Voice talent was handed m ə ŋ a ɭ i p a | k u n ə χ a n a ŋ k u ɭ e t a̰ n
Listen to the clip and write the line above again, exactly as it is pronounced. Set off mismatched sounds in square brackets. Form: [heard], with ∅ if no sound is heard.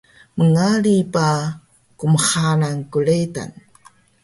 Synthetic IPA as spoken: m ə ŋ a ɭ i p a | k u [m] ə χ a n a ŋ k u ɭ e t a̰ n